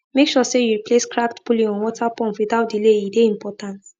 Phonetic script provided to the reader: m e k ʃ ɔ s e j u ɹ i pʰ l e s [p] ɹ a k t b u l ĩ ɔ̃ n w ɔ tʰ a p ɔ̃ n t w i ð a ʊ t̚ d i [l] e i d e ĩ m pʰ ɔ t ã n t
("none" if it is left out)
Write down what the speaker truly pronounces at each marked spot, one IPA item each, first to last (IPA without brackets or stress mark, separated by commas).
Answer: k, l